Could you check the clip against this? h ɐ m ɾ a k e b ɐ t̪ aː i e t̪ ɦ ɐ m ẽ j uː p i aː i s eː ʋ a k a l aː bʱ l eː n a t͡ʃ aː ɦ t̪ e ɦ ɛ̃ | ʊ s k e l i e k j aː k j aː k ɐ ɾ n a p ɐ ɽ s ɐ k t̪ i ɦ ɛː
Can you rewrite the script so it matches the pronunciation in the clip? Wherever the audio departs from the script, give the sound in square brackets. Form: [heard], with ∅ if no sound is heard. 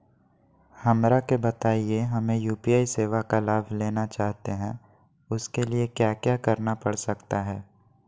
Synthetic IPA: h ɐ m ɾ a k e b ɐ t̪ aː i e [∅] ɦ ɐ m ẽ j uː p i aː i s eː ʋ a k a l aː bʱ l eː n a t͡ʃ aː ɦ t̪ e ɦ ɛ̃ | ʊ s k e l i e k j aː k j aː k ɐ ɾ n a p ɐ ɽ s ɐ k t̪ [a] ɦ ɛː